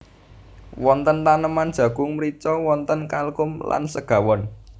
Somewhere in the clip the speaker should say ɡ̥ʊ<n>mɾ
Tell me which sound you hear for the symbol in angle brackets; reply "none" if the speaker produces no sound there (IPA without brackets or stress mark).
ŋ